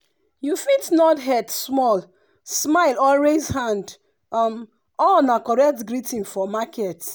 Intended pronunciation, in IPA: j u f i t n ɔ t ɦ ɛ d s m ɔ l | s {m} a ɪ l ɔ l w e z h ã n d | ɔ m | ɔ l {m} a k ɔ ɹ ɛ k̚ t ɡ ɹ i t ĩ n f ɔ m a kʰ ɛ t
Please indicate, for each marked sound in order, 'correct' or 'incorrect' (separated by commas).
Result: correct, incorrect